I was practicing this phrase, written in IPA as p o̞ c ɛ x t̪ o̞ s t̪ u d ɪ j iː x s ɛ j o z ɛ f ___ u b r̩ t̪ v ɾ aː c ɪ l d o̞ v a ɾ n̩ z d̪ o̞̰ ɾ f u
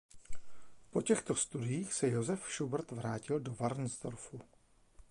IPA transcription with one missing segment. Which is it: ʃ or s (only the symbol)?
ʃ